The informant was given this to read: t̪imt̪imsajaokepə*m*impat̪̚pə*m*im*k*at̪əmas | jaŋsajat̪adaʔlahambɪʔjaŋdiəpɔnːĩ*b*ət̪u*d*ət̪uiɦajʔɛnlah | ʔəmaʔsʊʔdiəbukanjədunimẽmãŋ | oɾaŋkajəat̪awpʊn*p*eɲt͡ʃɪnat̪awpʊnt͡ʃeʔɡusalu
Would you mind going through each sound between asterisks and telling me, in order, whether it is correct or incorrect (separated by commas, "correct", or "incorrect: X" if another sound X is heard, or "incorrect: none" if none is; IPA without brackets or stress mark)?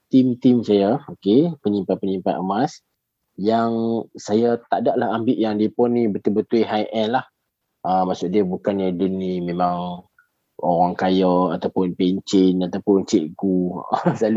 incorrect: ɲ, incorrect: ɲ, incorrect: p, correct, incorrect: b, correct